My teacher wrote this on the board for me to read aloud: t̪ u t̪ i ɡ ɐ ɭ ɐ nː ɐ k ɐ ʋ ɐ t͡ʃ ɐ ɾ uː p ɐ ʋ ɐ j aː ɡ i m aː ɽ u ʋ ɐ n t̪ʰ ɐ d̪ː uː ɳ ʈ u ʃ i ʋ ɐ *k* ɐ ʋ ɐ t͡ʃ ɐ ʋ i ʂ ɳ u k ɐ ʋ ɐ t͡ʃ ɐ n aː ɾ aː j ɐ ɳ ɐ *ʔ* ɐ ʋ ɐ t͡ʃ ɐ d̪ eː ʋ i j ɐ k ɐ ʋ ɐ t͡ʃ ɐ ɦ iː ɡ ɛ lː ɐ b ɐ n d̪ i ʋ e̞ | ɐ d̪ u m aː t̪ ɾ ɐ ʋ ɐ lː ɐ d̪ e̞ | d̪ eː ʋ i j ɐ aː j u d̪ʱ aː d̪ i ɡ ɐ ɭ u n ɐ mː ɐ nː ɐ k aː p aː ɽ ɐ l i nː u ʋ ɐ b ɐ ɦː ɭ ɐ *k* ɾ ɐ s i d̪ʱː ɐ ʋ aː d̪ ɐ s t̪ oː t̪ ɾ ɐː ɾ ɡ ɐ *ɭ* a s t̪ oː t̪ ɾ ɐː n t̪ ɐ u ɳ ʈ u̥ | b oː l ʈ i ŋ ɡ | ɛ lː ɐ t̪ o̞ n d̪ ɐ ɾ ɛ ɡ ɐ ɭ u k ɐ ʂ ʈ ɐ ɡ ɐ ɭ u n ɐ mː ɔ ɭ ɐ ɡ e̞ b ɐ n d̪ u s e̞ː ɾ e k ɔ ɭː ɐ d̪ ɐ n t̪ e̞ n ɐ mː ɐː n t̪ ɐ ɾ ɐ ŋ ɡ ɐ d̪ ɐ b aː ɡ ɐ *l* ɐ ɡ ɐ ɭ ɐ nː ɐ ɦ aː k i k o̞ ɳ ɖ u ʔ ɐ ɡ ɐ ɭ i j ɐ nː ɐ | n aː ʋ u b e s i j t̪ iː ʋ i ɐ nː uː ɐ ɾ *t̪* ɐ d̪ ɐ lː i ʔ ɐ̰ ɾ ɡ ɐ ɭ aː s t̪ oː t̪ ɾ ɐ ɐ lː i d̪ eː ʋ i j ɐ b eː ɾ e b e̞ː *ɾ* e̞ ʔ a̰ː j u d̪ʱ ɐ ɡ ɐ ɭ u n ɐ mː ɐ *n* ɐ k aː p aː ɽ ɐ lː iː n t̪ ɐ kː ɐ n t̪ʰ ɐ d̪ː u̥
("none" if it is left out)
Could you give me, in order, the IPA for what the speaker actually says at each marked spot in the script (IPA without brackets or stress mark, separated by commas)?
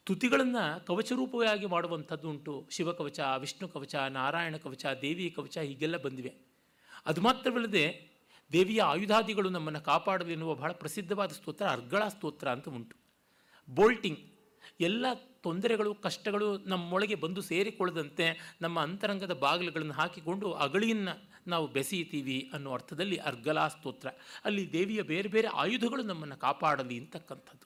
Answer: k, k, p, ɭ, l, t̪ʰ, ɾ, nː